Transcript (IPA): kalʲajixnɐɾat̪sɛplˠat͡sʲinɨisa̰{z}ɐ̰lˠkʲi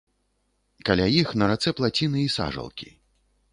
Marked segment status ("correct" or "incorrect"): incorrect